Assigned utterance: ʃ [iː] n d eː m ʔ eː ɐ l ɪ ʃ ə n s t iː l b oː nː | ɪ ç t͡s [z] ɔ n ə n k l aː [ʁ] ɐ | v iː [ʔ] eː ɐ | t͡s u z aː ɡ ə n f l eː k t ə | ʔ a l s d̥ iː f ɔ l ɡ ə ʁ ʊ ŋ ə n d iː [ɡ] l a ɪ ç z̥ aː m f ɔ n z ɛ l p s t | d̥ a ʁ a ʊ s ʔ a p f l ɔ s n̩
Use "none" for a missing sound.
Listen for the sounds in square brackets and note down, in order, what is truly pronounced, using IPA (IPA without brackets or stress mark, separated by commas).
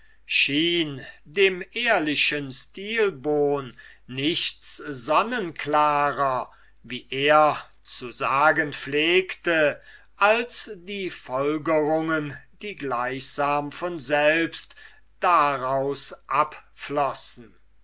iː, z, ʁ, ʔ, ɡ